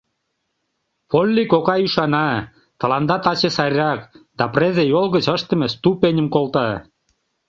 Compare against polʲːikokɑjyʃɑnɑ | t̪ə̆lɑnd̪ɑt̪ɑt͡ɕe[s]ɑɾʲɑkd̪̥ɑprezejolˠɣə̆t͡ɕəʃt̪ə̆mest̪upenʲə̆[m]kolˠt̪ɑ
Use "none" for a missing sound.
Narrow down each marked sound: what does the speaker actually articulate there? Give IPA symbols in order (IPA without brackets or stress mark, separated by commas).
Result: s, m